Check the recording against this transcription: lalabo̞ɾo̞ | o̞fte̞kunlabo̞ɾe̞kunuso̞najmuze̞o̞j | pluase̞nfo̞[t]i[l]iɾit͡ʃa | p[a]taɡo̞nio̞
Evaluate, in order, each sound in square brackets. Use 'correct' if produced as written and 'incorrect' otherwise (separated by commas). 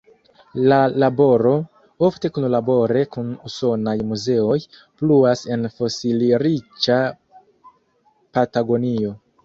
incorrect, correct, correct